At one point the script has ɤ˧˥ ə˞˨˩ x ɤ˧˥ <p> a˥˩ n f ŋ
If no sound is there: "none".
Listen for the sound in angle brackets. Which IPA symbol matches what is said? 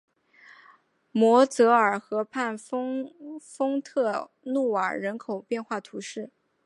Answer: pʰ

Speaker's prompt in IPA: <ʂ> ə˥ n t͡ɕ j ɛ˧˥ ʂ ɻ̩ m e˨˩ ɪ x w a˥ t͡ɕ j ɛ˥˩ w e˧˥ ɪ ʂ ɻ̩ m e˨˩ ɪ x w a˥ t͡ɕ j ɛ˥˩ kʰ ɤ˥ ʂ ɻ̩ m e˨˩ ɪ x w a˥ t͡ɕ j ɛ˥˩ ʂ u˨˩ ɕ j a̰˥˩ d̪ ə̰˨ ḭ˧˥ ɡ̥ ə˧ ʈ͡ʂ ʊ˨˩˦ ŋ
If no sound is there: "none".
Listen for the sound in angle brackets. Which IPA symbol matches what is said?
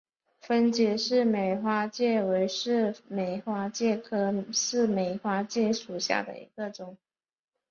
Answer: f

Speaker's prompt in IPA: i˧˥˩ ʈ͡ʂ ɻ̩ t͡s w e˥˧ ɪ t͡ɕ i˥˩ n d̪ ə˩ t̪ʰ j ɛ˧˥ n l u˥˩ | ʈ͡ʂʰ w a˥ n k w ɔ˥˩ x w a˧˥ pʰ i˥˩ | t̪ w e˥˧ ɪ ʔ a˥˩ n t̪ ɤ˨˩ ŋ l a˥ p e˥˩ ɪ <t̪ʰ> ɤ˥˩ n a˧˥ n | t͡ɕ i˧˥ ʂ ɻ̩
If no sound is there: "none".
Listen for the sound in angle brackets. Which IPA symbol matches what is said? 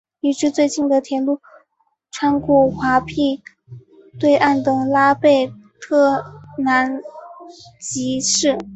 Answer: t̪ʰ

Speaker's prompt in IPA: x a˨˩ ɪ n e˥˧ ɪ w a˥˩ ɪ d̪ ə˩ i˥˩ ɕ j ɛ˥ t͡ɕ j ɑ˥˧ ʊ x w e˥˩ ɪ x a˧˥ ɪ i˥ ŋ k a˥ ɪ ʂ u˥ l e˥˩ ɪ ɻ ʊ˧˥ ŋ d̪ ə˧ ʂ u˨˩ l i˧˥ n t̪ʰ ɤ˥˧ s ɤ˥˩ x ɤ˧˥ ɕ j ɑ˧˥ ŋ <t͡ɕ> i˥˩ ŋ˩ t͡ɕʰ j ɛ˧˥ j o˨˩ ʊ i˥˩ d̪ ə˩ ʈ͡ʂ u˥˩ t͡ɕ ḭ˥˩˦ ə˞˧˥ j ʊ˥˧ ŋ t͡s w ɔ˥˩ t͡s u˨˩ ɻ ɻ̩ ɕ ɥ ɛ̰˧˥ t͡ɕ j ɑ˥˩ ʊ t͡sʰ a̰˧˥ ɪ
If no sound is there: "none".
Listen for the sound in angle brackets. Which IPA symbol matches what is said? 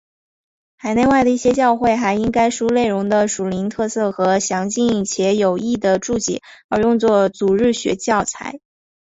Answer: t͡ɕ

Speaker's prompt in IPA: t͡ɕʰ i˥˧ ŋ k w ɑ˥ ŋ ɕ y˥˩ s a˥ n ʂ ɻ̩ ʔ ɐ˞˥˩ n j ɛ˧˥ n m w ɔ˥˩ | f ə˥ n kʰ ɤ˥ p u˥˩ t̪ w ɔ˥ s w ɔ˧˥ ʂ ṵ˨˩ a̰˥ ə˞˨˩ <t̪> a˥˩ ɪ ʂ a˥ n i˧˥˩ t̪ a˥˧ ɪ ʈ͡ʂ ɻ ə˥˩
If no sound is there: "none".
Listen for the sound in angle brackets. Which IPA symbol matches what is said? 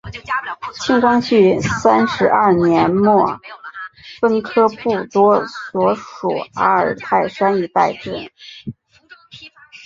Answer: t̪ʰ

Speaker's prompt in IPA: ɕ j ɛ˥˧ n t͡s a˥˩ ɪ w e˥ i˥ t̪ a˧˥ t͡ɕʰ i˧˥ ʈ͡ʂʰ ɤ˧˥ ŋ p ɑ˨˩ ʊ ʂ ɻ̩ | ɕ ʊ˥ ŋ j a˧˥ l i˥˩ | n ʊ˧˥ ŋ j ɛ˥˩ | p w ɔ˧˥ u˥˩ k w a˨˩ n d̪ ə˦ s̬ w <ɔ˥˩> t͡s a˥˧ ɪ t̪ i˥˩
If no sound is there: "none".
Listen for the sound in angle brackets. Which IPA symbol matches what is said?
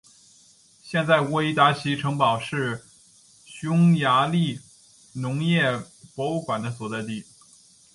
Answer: ɔ˨˩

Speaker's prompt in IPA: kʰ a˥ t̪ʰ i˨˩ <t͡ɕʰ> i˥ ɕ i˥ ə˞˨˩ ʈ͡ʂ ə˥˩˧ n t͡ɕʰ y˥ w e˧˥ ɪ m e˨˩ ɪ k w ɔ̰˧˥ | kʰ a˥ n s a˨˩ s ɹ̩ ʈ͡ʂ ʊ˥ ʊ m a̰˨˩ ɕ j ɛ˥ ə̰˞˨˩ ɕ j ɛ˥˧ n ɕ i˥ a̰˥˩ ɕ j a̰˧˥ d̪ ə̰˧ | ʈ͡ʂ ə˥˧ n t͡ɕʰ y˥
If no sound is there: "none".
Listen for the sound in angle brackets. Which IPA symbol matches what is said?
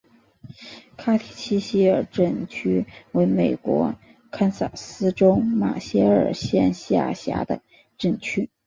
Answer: t͡ɕʰ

